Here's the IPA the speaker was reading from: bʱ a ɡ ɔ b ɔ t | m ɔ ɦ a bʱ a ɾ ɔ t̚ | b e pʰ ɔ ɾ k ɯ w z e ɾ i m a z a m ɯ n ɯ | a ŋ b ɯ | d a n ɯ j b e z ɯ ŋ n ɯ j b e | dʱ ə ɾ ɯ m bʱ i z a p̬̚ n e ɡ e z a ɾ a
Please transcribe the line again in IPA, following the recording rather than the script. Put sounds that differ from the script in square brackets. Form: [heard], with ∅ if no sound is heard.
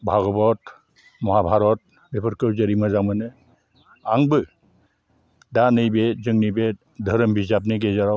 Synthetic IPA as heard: bʱ a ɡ ɔ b ɔ t | m ɔ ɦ a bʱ a ɾ ɔ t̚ | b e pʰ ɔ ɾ k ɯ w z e ɾ i m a z a m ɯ n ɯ | a ŋ b ɯ | d a n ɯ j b e z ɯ ŋ n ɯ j b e | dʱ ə ɾ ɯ m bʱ i z a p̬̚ n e ɡ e z a ɾ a